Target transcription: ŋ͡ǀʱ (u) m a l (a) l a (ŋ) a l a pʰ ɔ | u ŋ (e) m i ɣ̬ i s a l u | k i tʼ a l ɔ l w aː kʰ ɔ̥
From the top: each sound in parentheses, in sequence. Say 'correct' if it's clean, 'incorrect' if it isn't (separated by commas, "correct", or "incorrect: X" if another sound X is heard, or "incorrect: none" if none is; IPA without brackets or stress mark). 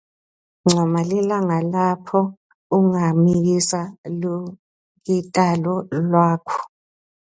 incorrect: ɔ, incorrect: i, correct, incorrect: a